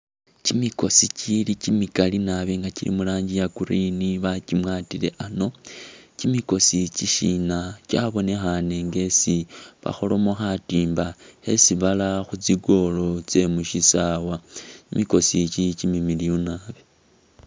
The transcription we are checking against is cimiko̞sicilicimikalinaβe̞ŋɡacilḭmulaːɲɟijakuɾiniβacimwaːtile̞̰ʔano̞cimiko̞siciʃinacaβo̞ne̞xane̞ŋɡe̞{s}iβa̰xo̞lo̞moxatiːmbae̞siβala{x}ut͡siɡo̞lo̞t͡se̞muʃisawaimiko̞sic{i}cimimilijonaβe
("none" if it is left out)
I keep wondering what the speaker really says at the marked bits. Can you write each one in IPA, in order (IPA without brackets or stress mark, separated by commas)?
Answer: s, x, i